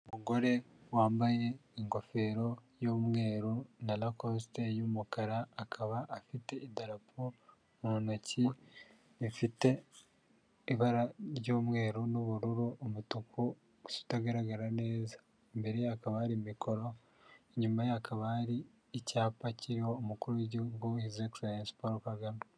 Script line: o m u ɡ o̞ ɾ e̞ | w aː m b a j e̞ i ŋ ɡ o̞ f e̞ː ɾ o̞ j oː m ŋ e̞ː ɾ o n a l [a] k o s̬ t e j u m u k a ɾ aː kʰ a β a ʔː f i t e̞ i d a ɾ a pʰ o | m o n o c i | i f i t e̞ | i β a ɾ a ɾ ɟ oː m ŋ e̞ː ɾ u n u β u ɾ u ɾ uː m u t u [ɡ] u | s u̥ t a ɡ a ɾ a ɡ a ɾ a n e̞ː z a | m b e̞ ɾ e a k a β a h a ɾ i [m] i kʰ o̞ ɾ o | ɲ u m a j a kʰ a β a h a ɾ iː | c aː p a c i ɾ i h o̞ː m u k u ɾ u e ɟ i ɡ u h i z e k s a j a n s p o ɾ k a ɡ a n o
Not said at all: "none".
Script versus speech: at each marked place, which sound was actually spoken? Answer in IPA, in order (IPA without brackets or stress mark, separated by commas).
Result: a, k, m